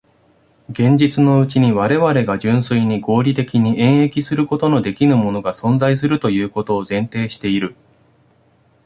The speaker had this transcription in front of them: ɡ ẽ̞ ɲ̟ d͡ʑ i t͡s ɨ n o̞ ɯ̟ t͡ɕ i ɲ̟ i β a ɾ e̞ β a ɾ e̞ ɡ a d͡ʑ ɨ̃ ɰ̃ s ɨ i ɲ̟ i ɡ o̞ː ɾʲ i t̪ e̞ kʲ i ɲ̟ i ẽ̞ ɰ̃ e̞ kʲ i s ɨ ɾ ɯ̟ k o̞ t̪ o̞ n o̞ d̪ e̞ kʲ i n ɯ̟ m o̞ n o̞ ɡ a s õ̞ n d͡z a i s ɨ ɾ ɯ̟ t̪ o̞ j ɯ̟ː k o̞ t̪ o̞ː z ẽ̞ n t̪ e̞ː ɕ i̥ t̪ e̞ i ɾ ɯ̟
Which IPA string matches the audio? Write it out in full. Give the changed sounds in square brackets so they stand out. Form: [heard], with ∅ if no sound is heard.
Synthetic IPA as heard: ɡ ẽ̞ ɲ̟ d͡ʑ i t͡s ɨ n o̞ ɯ̟ t͡ɕ i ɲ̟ i β a ɾ e̞ β a ɾ e̞ ɡ a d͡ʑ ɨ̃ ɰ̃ s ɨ i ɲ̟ i ɡ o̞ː ɾʲ i t̪ e̞ kʲ i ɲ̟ i ẽ̞ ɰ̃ e̞ kʲ i s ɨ ɾ ɯ̟ k o̞ t̪ o̞ n o̞ d̪ e̞ kʲ i n ɯ̟ m o̞ n o̞ ɡ a s õ̞ n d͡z a i s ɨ ɾ ɯ̟ t̪ o̞ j ɯ̟ː k o̞ t̪ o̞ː z ẽ̞ n t̪ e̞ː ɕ i̥ t̪ e̞ i ɾ ɯ̟